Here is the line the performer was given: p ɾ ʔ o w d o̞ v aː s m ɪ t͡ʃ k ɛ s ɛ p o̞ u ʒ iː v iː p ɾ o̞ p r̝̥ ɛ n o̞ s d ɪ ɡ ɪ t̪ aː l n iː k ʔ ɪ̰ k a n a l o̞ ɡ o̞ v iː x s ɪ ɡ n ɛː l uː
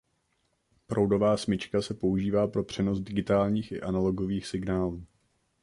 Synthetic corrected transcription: p ɾ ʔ o w d o̞ v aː s m ɪ t͡ʃ k a s ɛ p o̞ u ʒ iː v aː p ɾ o̞ p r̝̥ ɛ n o̞ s d ɪ ɡ ɪ t̪ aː l ɲ iː x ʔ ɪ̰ ʔ a n a l o̞ ɡ o̞ v iː x s ɪ ɡ n aː l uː

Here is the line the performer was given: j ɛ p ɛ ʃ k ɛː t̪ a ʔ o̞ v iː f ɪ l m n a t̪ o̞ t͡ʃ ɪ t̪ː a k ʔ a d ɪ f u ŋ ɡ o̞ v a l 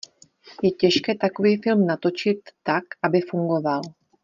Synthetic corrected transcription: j ɛ c ɛ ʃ k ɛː t̪ a k o̞ v iː f ɪ l m n a t̪ o̞ t͡ʃ ɪ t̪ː a k ʔ a b ɪ f u ŋ ɡ o̞ v a l

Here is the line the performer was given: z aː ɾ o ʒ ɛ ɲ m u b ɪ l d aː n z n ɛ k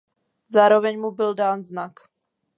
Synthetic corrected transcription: z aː ɾ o v ɛ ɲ m u b ɪ l d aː n z n a k

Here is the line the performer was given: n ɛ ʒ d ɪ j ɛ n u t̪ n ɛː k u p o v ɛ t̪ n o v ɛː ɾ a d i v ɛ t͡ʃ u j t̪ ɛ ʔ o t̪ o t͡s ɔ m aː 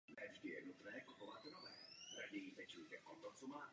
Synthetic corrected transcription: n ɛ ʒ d ɪ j ɛ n u t̪ n ɛː k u p o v a t̪ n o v ɛː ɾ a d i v ɛ t͡ʃ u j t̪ ɛ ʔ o t̪ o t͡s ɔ m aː

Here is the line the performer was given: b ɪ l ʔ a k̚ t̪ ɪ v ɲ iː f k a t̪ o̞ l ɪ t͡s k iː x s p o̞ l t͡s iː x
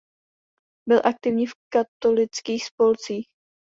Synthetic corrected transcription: b ɪ l ʔ a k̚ t̪ ɪ v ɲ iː f k a t̪ o̞ l ɪ t͡s k iː x s p o̞ l t͡s iː x

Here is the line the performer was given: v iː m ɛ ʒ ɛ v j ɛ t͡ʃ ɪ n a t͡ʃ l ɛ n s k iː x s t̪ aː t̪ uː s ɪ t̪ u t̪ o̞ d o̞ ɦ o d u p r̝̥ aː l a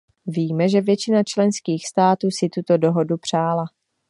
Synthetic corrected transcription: v iː m ɛ ʒ ɛ v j ɛ t͡ʃ ɪ n a t͡ʃ l ɛ n s k iː x s t̪ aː t̪ uː s ɪ t̪ u t̪ o̞ d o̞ ɦ o d u p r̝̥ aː l a

